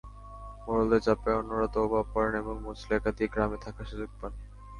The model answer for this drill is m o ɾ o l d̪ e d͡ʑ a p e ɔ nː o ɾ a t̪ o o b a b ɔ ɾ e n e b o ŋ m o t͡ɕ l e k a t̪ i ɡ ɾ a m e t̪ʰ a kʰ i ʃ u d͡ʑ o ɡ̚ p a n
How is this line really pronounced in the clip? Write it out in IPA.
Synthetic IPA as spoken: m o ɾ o l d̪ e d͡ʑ a p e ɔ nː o ɾ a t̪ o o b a p ɔ ɾ e n e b o ŋ m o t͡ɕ l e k a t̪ i ɡ ɾ a m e t̪ʰ a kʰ a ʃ u d͡ʑ o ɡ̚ p a n